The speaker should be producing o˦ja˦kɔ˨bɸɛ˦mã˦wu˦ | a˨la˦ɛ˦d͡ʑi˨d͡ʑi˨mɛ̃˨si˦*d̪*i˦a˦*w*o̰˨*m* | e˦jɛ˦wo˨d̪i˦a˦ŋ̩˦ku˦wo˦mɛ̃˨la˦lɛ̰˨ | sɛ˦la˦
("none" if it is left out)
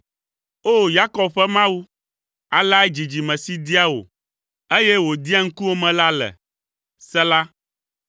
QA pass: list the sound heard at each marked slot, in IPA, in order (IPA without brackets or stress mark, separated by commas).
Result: d̪, w, none